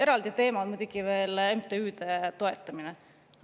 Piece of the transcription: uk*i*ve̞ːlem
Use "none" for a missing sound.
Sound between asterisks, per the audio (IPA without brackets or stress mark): i